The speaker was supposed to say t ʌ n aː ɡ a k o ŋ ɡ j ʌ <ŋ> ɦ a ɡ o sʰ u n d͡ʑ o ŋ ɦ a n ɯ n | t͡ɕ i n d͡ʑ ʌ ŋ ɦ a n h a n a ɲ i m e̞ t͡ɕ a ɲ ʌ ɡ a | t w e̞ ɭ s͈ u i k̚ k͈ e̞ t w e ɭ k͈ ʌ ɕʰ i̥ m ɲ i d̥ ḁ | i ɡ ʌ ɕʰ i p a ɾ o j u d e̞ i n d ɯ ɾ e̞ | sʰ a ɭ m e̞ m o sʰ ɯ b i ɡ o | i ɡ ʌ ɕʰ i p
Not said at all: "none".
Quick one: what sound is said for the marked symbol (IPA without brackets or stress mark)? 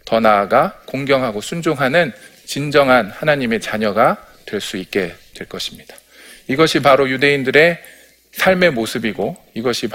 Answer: ŋ